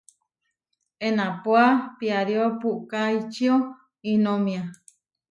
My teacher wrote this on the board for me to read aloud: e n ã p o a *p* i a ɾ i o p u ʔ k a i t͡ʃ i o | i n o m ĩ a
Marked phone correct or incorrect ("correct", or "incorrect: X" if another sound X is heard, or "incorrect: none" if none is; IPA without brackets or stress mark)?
correct